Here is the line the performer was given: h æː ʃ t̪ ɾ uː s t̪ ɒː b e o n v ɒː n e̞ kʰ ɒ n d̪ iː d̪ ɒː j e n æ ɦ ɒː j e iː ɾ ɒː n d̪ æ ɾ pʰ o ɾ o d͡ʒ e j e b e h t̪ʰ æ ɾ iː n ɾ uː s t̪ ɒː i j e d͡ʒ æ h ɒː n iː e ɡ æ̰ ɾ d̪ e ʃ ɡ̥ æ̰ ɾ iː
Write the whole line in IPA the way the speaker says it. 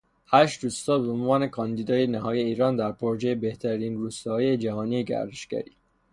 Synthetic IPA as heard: h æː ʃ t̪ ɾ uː s t̪ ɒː b e o n v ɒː n e̞ kʰ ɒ n d̪ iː d̪ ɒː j e n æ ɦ ɒː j e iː ɾ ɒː n d̪ æ ɾ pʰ o ɾ o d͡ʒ e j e b e h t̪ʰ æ ɾ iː n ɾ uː s t̪ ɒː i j e d͡ʒ æ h ɒː n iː e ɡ æ̰ ɾ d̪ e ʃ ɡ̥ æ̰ ɾ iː